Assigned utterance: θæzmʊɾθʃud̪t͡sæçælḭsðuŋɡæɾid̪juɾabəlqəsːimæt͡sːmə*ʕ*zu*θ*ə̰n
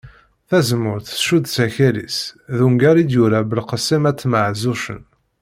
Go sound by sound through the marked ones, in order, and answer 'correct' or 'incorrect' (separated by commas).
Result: correct, incorrect